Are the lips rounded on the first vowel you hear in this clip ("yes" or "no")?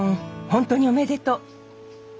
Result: yes